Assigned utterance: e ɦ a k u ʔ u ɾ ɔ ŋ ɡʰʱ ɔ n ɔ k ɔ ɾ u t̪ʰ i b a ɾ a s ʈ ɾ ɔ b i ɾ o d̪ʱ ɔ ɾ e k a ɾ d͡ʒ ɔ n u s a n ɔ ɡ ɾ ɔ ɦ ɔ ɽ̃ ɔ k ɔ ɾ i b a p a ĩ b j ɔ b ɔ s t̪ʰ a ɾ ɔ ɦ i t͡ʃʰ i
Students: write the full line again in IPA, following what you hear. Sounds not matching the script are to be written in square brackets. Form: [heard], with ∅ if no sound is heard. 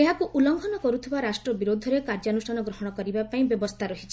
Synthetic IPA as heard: e ɦ a k u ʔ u [l] ɔ ŋ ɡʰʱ ɔ n ɔ k ɔ ɾ u t̪ʰ i b a ɾ a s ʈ ɾ ɔ b i ɾ o d̪ʱ ɔ ɾ e k a ɾ d͡ʒ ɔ n u s a n ɔ ɡ ɾ ɔ ɦ ɔ ɽ̃ ɔ k ɔ ɾ i b a p a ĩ b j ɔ b ɔ s t̪ʰ a ɾ ɔ ɦ i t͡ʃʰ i